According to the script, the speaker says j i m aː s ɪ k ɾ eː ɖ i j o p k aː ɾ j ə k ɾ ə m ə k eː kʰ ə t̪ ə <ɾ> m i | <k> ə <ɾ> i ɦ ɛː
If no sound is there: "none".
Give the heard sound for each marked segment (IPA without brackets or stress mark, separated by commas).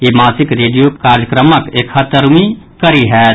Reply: ɾ, k, ɾ